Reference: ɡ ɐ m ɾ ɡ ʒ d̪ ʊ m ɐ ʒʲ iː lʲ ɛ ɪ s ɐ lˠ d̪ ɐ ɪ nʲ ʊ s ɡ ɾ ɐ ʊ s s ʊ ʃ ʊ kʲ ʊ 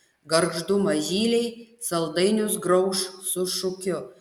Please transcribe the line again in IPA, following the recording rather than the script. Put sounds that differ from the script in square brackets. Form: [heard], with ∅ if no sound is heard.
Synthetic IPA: ɡ ɐ [∅] ɾ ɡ ʒ d̪ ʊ m ɐ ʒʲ iː lʲ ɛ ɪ s ɐ lˠ d̪ ɐ ɪ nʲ ʊ s ɡ ɾ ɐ ʊ [ʃ] s ʊ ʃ ʊ kʲ ʊ

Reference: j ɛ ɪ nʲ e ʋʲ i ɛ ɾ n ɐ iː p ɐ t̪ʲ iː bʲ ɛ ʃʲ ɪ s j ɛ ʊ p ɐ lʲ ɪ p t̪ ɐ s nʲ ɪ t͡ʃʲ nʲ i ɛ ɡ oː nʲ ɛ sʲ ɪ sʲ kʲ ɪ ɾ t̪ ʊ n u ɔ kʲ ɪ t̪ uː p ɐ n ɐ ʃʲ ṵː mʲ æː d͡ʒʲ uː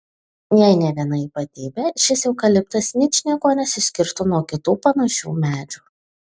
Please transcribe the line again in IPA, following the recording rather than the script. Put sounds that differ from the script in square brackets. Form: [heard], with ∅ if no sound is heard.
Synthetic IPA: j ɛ ɪ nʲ [ɛ] ʋʲ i ɛ [∅] n ɐ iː p ɐ t̪ʲ iː bʲ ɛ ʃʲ ɪ s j ɛ ʊ [k] ɐ lʲ ɪ p t̪ ɐ s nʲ ɪ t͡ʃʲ nʲ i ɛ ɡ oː nʲ ɛ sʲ ɪ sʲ kʲ ɪ ɾ t̪ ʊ n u ɔ kʲ ɪ t̪ uː p ɐ n ɐ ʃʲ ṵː mʲ æː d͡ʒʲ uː

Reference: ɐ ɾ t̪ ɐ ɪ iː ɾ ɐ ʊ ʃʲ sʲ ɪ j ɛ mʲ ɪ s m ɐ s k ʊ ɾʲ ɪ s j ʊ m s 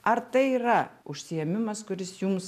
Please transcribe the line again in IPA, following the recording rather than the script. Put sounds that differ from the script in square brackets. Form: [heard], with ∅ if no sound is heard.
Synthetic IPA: ɐ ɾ t̪ ɐ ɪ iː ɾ ɐ ʊ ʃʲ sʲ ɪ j ɛ mʲ ɪ [∅] m ɐ s k ʊ ɾʲ ɪ s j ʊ m s

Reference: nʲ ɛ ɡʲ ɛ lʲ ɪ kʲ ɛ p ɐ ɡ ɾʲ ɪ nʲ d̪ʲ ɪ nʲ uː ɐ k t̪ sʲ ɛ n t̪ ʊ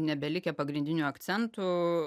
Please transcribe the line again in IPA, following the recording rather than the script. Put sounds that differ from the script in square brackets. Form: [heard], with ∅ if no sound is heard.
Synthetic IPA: nʲ ɛ [bʲ] ɛ lʲ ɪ kʲ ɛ p ɐ ɡ ɾʲ ɪ nʲ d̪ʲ ɪ nʲ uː ɐ k t̪ sʲ ɛ n t̪ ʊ

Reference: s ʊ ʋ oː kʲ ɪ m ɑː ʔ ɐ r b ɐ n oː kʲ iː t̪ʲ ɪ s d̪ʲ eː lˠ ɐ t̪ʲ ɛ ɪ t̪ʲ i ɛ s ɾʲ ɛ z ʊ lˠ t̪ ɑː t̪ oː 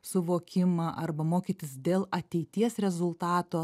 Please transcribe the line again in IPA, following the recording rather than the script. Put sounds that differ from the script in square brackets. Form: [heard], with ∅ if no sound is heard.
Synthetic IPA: s ʊ ʋ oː kʲ ɪ m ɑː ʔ ɐ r b ɐ [m] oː kʲ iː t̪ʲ ɪ s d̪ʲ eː lˠ ɐ t̪ʲ ɛ ɪ t̪ʲ i ɛ s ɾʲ ɛ z ʊ lˠ t̪ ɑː t̪ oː

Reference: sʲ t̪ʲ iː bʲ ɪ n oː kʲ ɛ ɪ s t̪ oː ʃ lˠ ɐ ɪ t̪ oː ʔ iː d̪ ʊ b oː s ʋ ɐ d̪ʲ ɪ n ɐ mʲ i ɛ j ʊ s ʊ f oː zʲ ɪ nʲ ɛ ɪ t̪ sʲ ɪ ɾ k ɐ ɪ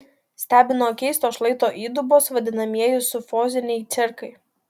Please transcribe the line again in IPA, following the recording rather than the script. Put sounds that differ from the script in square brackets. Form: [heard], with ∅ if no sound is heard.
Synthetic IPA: sʲ t̪ʲ [æː] bʲ ɪ n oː kʲ ɛ ɪ s t̪ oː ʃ lˠ ɐ ɪ t̪ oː ʔ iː d̪ ʊ b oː s ʋ ɐ d̪ʲ ɪ n ɐ mʲ i ɛ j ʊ s ʊ f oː zʲ ɪ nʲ ɛ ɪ t̪ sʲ ɪ ɾ k ɐ ɪ

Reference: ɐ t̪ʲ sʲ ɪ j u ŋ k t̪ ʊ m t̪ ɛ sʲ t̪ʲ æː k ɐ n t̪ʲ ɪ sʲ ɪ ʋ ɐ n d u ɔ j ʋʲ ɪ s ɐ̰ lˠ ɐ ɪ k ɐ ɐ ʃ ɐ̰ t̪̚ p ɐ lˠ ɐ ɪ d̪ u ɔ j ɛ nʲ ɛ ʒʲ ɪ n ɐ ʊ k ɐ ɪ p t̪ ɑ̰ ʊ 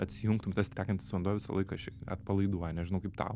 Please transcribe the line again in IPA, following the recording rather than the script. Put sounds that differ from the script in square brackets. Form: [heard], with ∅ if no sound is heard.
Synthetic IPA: ɐ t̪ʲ sʲ ɪ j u ŋ k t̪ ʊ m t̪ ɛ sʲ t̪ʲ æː k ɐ n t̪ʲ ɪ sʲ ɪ ʋ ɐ n d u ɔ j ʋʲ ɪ s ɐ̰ lˠ ɐ ɪ k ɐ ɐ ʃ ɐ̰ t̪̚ p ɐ lˠ ɐ ɪ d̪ u ɔ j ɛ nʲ ɛ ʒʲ ɪ n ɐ ʊ k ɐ ɪ p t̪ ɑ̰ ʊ

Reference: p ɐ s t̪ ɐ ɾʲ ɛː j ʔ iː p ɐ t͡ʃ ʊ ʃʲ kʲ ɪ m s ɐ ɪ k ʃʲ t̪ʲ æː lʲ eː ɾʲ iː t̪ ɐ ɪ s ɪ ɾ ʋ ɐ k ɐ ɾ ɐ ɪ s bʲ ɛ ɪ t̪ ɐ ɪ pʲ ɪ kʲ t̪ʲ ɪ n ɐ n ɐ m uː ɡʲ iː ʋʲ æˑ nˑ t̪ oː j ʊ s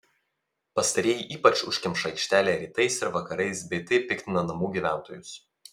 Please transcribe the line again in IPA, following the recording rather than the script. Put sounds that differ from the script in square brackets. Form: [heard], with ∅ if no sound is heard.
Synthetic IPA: p ɐ s t̪ ɐ ɾʲ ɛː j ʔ iː p ɐ t͡ʃ ʊ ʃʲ kʲ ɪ m [ʃ] ɐ ɪ k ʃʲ t̪ʲ æː lʲ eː ɾʲ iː t̪ ɐ ɪ s ɪ ɾ ʋ ɐ k ɐ ɾ ɐ ɪ s bʲ ɛ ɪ t̪ ɐ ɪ pʲ ɪ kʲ t̪ʲ ɪ n ɐ n ɐ m uː ɡʲ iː ʋʲ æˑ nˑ t̪ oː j ʊ s

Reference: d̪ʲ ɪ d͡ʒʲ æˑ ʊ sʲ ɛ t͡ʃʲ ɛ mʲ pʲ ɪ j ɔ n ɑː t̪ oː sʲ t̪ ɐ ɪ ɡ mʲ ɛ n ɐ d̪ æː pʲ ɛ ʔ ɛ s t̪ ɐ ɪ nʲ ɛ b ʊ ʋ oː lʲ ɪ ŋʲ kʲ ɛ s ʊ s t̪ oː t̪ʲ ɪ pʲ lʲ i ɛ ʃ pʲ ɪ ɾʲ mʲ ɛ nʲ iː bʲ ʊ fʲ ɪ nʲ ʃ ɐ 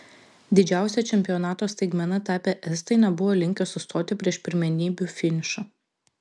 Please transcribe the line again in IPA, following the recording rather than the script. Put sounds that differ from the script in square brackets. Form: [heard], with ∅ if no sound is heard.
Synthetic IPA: d̪ʲ ɪ d͡ʒʲ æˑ ʊ sʲ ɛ t͡ʃʲ ɛ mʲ pʲ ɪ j ɔ n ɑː t̪ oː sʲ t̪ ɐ ɪ ɡ mʲ ɛ n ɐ [t̪] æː pʲ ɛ ʔ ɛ s t̪ ɐ ɪ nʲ ɛ b ʊ ʋ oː lʲ ɪ ŋʲ kʲ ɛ s ʊ s t̪ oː t̪ʲ ɪ pʲ [ɾʲ] i ɛ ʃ pʲ ɪ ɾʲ mʲ ɛ nʲ iː bʲ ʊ fʲ ɪ nʲ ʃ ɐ

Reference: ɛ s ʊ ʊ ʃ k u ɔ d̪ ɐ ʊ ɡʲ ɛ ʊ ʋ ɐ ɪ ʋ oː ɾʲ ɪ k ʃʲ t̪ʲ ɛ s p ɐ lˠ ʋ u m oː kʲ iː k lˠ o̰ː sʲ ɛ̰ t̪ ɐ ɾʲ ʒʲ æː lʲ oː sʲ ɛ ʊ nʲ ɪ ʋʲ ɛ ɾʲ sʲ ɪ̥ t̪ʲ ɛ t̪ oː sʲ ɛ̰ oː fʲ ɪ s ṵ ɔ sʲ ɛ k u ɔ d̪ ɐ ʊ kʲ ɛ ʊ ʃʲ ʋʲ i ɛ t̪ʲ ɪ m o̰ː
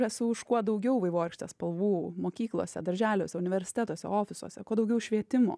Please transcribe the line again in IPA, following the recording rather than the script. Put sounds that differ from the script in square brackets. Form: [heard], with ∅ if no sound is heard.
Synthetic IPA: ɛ s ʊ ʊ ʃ k u ɔ d̪ ɐ ʊ ɡʲ ɛ ʊ ʋ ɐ ɪ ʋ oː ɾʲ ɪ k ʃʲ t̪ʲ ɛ s p ɐ lˠ ʋ [uː] m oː kʲ iː k lˠ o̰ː sʲ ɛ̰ [d̪] ɐ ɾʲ ʒʲ æː lʲ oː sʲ ɛ ʊ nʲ ɪ ʋʲ ɛ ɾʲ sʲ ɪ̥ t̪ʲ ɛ t̪ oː sʲ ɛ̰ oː fʲ ɪ s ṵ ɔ sʲ ɛ k u ɔ d̪ ɐ ʊ [ɡʲ] ɛ ʊ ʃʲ ʋʲ i ɛ t̪ʲ ɪ m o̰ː

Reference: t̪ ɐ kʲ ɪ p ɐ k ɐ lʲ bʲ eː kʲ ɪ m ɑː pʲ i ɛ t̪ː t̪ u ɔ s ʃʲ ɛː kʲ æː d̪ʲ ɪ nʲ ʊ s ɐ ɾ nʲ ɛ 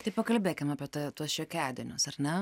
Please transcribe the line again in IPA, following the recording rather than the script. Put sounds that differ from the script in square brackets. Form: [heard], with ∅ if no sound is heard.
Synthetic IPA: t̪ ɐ [∅] ɪ p ɐ k ɐ lʲ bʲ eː kʲ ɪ m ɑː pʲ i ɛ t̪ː t̪ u ɔ s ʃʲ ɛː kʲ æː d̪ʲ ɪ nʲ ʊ s ɐ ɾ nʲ ɛ

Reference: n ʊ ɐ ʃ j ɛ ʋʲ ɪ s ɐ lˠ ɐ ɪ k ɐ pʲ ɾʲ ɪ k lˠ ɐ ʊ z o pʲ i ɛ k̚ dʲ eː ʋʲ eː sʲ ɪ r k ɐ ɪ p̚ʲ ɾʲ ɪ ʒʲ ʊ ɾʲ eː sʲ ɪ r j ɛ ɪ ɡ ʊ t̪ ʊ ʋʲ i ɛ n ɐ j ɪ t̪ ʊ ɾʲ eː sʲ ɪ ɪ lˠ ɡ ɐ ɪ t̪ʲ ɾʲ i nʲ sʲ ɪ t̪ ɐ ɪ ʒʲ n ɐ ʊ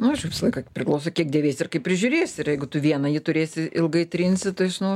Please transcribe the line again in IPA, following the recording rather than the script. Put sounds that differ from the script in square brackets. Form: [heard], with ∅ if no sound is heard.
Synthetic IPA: n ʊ ɐ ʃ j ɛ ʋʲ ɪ s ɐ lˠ ɐ ɪ k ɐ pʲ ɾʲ ɪ k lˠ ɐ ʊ [s] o [kʲ] i ɛ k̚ dʲ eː ʋʲ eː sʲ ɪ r k ɐ ɪ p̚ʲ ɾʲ ɪ ʒʲ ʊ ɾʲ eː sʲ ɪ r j ɛ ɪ ɡ ʊ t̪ ʊ ʋʲ i ɛ n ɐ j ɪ t̪ ʊ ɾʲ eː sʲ ɪ ɪ lˠ ɡ ɐ ɪ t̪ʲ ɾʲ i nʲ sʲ ɪ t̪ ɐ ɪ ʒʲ n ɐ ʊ

